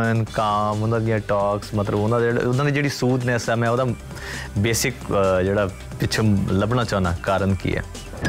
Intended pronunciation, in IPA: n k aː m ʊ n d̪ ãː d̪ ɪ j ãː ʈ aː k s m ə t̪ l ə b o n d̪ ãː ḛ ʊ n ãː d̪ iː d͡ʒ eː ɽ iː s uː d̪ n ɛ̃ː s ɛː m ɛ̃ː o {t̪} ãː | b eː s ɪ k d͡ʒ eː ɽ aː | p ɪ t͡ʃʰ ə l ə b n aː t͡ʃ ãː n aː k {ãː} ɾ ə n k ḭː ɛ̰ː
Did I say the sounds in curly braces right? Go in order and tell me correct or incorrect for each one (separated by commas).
incorrect, incorrect